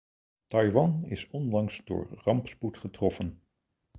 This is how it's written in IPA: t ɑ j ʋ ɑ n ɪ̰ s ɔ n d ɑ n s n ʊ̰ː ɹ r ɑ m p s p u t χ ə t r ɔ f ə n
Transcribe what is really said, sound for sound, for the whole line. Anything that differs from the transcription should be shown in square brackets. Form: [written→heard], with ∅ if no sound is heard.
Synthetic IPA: t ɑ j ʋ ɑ n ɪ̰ s ɔ n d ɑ [n→ŋ] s [n→d] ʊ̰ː ɹ r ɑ m p s p u t χ ə t r ɔ f ə n